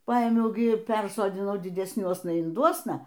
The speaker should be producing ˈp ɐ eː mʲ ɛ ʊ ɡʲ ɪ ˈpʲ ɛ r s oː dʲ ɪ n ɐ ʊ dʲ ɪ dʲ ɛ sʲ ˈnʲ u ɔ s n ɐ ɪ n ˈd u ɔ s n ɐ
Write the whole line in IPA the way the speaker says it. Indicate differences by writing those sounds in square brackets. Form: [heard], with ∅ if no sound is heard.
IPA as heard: ˈp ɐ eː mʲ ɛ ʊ ɡʲ ɪ ˈpʲ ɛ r s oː dʲ ɪ n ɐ ʊ dʲ ɪ dʲ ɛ sʲ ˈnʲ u ɔ s n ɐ ɪ n ˈd u ɔ s n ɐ